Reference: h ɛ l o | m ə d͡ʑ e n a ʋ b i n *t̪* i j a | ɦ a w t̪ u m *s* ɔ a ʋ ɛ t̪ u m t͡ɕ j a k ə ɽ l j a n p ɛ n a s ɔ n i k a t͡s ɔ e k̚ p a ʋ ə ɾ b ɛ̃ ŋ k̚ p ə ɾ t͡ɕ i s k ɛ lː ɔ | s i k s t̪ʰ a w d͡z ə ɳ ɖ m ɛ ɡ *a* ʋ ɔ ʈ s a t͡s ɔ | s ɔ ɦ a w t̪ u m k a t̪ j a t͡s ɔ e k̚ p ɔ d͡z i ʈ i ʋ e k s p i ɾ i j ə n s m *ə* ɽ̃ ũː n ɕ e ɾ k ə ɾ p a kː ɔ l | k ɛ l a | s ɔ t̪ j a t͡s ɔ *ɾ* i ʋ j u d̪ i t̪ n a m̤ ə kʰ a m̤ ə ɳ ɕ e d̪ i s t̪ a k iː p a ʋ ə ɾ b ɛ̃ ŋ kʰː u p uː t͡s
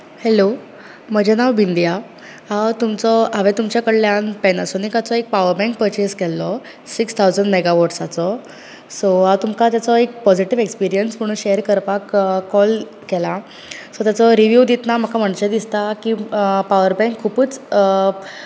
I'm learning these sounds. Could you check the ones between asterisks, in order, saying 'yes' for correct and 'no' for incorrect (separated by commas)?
no, no, yes, yes, yes